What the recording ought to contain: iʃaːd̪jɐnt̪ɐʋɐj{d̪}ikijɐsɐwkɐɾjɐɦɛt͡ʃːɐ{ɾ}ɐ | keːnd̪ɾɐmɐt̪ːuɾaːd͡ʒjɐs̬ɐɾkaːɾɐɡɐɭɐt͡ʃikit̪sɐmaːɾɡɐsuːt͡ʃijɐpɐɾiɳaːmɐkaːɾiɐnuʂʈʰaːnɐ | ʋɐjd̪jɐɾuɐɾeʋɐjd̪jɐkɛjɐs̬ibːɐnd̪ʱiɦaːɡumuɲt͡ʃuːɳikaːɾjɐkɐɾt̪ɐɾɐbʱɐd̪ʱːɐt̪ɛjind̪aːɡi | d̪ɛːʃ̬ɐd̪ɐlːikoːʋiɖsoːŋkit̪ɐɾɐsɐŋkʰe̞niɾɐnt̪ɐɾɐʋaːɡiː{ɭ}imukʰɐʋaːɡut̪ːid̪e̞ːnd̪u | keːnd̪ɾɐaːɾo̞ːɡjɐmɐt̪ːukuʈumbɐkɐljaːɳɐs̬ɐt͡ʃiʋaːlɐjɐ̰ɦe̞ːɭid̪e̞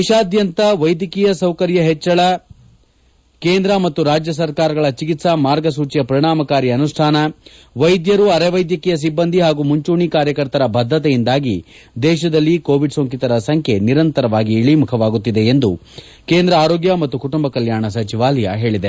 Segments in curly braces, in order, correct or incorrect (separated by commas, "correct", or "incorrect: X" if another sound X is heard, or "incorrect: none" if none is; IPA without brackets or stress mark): correct, incorrect: ɭ, correct